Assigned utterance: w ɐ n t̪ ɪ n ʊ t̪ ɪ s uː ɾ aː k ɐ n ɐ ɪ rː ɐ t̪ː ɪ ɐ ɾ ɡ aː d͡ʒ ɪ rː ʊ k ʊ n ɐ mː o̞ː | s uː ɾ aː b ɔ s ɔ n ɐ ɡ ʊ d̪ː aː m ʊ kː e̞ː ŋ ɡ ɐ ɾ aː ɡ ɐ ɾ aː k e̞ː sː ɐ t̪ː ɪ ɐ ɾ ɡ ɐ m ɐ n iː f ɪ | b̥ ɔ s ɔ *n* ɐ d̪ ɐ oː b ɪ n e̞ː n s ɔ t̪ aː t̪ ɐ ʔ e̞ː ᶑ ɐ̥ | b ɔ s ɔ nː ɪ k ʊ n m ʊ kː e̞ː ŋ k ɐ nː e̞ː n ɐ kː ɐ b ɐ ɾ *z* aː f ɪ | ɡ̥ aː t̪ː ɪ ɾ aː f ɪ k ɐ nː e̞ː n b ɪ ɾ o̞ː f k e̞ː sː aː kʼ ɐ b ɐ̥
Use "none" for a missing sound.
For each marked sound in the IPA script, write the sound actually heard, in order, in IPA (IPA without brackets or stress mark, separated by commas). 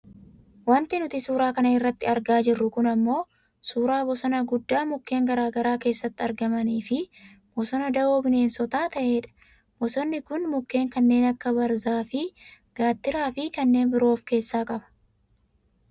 n, z